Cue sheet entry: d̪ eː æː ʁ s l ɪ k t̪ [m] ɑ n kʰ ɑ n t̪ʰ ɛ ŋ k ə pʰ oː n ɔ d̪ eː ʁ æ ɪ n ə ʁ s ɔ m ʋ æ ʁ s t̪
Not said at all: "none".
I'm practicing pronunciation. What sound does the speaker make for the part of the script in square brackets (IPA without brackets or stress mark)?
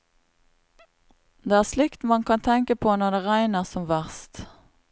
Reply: m